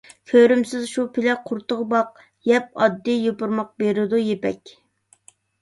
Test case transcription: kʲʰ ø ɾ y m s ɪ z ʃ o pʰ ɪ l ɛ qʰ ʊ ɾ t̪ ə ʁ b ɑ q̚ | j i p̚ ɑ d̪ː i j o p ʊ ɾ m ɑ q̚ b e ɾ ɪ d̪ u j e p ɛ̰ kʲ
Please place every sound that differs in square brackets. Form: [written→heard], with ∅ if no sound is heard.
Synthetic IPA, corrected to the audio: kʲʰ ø ɾ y m s ɪ z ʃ [o→u] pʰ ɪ l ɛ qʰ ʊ ɾ t̪ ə ʁ b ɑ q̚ | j [i→ɛ] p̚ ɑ d̪ː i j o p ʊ ɾ m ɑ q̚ b e ɾ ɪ d̪ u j e p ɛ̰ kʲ